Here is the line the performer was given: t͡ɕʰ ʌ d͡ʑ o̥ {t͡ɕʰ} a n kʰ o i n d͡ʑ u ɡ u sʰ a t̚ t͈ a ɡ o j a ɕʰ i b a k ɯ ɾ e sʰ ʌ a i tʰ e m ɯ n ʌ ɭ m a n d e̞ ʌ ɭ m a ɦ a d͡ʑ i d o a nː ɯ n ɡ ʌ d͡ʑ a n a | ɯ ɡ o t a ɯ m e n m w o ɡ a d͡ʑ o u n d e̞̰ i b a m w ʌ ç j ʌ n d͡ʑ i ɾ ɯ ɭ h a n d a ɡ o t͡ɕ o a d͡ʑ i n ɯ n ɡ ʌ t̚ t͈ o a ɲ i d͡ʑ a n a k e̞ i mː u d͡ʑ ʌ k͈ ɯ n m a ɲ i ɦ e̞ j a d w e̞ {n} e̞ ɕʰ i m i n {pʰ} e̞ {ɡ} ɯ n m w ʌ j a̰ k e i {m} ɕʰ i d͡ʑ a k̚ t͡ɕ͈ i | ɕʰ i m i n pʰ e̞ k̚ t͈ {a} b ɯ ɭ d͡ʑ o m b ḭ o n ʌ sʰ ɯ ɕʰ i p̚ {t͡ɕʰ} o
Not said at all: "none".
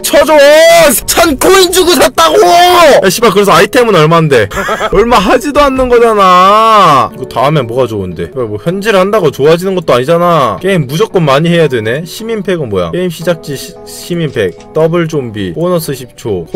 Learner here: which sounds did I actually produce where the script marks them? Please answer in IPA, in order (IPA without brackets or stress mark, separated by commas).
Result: t͡ɕʰ, n, pʰ, ɡ, m, ʌ, t͡ɕʰ